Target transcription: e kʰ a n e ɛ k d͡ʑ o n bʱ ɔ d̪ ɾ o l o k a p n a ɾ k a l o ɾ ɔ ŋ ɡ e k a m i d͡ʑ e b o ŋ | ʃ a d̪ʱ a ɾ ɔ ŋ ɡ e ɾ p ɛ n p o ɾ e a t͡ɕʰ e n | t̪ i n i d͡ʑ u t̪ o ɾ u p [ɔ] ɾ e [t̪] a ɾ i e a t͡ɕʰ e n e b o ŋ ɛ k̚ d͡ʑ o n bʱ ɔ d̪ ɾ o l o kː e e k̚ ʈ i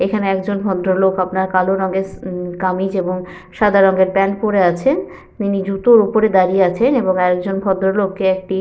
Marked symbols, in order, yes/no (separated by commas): no, no